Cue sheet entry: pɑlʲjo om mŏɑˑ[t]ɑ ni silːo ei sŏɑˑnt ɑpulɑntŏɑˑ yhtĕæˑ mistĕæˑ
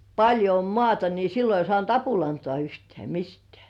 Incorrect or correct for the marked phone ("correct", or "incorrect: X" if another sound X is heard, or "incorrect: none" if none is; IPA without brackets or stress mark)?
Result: correct